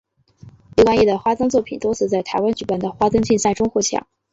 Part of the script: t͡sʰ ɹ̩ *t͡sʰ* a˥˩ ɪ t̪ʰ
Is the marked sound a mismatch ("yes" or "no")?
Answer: yes